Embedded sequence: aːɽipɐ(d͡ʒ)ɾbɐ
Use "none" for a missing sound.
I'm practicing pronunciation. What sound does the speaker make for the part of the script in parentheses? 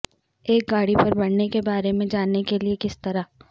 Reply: none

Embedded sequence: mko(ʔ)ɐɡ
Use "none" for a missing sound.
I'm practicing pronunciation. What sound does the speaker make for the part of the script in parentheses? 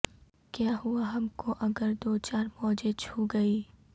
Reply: ʔ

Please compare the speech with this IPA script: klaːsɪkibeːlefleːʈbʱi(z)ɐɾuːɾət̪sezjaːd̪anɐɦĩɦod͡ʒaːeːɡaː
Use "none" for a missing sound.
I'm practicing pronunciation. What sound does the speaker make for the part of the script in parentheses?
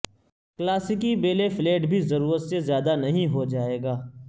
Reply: z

